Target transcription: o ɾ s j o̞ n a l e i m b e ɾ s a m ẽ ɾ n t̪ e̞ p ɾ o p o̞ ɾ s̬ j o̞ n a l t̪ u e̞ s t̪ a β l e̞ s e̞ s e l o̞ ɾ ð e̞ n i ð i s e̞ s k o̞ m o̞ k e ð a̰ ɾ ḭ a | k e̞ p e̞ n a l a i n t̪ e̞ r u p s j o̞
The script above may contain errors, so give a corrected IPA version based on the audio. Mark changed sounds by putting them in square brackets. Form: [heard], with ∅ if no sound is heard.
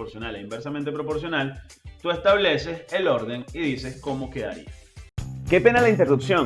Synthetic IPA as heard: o ɾ s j o̞ n a l e i m b e ɾ s a m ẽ [∅] n t̪ e̞ p ɾ o p o̞ ɾ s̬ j o̞ n a l t̪ u e̞ s t̪ a β l e̞ s e̞ s e l o̞ ɾ ð e̞ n i ð i s e̞ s k o̞ m o̞ k e ð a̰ ɾ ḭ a | k e̞ p e̞ n a l a i n t̪ e̞ r u p s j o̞